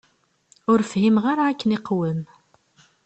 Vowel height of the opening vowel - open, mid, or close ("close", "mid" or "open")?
close